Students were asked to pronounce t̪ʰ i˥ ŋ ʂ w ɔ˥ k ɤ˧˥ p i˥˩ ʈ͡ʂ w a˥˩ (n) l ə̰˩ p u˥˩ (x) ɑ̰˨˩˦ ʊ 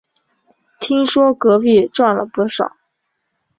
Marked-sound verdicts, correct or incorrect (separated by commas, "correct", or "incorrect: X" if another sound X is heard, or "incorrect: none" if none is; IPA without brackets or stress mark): correct, incorrect: ʂ